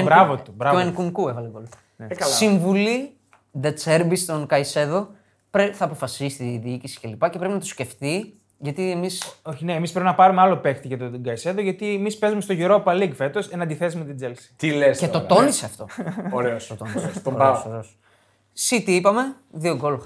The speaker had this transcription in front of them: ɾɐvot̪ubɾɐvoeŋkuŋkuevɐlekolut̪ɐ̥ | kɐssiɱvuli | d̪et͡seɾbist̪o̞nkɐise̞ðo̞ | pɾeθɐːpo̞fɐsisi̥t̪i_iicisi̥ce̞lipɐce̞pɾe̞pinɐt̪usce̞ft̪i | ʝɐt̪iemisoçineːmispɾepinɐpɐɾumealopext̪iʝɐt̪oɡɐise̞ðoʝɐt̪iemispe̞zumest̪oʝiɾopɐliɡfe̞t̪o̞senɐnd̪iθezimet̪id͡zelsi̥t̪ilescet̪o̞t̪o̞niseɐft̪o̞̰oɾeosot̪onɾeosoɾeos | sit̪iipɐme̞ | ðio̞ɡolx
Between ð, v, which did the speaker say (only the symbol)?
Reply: ð